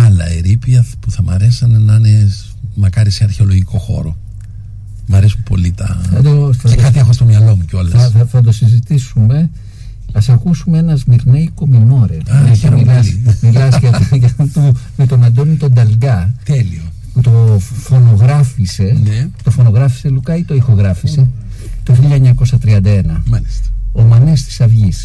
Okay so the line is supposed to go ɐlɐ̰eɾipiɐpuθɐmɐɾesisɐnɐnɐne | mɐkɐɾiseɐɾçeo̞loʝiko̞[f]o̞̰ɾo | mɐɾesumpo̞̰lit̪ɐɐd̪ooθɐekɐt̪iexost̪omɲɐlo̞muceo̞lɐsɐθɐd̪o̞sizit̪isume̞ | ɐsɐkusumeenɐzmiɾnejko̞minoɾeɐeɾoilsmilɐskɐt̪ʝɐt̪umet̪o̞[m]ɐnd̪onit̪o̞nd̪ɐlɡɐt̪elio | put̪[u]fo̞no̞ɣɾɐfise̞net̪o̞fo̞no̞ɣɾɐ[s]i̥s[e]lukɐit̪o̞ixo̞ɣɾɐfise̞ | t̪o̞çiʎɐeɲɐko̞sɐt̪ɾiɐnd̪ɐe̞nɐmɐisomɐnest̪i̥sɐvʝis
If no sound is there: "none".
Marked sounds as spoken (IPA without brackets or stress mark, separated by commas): x, n, o, f, e